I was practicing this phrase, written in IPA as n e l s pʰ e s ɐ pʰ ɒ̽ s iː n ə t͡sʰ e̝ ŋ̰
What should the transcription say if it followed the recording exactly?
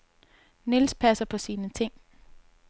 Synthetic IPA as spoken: n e l s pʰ æ s ɐ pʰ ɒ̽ s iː n ə t͡sʰ e̝ ŋ̰